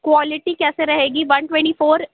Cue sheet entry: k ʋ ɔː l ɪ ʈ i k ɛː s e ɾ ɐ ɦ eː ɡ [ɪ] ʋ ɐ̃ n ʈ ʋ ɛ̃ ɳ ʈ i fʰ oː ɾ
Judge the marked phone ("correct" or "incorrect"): incorrect